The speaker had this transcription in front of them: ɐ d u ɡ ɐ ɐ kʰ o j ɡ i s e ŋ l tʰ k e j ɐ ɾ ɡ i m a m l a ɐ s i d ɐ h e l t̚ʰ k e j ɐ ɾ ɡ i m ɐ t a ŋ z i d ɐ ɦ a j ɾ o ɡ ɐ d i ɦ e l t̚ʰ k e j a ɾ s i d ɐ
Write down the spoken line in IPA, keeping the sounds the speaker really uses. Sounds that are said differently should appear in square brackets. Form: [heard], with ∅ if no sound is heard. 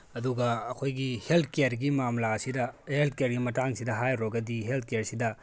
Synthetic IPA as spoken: ɐ d u ɡ ɐ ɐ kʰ o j ɡ i [h] e [∅] l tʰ k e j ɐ ɾ ɡ i m a m l a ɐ s i d ɐ h e l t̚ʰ k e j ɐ ɾ ɡ i m ɐ t a ŋ [s] i d ɐ ɦ a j ɾ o ɡ ɐ d i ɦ e l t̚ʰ k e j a ɾ s i d ɐ